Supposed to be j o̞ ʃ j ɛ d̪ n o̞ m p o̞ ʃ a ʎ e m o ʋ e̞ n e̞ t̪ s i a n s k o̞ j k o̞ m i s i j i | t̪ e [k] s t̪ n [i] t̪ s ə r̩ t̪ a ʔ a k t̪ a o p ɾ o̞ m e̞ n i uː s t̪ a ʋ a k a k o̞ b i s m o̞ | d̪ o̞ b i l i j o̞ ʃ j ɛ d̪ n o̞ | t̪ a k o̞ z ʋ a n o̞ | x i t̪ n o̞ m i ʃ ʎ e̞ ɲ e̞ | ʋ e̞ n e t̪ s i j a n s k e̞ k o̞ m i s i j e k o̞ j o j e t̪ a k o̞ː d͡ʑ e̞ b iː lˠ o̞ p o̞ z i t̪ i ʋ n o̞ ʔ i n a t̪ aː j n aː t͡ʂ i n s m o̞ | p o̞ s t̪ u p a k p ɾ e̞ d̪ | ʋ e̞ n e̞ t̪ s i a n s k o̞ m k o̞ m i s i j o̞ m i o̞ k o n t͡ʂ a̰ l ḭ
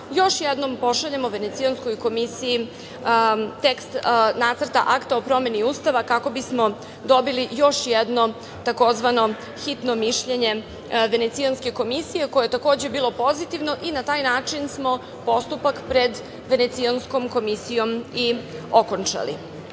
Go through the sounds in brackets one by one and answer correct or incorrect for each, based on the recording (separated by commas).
correct, incorrect